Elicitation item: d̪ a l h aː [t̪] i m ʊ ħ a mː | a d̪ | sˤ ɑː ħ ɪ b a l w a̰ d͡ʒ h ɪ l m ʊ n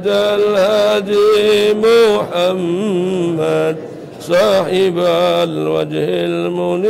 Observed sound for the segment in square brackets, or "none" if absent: d̪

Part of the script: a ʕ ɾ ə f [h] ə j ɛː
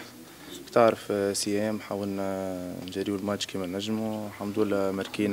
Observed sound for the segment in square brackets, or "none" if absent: s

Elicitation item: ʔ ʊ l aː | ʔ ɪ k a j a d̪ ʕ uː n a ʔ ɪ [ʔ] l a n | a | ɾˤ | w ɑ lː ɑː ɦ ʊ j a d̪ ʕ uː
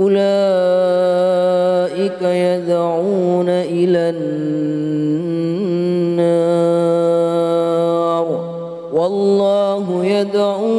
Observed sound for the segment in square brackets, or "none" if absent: none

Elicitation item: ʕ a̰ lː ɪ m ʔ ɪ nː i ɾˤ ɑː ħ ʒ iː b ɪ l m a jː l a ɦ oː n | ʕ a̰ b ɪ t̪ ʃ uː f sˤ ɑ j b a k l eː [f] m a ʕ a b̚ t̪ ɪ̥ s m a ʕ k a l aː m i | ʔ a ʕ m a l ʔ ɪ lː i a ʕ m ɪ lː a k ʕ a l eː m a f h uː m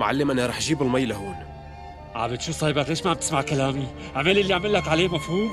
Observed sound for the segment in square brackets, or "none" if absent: ʃ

